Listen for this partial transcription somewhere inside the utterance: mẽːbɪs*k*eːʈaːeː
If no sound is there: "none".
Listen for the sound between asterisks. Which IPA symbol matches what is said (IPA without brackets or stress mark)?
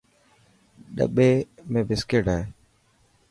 k